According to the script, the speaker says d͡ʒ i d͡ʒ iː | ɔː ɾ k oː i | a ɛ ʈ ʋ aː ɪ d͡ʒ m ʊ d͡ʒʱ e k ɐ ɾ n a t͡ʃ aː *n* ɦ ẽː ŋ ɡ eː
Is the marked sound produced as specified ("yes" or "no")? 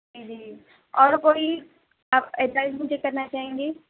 no